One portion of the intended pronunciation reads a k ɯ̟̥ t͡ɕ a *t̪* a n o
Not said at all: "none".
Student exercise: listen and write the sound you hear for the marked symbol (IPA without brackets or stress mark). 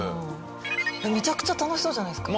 t̪